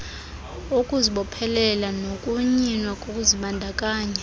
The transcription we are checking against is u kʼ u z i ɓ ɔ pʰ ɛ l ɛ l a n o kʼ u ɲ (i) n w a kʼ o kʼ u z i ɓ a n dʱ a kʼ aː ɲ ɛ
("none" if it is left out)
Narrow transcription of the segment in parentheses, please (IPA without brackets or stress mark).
i